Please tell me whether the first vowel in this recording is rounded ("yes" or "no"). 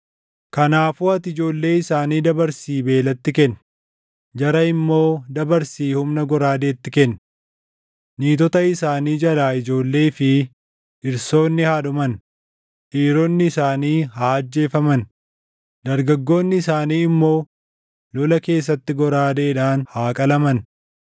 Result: no